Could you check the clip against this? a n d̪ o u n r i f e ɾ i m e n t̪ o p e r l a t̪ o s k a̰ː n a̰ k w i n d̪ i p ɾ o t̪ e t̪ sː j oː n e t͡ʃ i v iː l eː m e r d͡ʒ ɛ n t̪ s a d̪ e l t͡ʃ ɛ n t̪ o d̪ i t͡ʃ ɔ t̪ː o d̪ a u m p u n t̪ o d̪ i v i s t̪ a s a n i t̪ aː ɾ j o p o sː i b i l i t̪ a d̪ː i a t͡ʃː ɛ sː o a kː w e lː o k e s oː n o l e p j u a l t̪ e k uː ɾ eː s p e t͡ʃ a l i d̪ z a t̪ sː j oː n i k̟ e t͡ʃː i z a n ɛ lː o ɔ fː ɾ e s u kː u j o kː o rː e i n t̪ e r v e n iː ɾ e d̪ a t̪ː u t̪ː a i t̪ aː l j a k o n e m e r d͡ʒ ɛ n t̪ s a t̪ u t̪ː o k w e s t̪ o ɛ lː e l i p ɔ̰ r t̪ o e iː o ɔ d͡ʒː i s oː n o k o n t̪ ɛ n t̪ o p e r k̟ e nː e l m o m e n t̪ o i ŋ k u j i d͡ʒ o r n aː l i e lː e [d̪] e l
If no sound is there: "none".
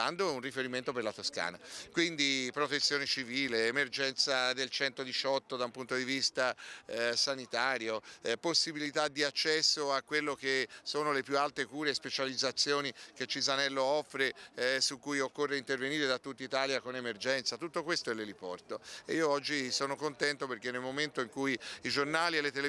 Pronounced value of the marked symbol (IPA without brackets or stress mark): t̪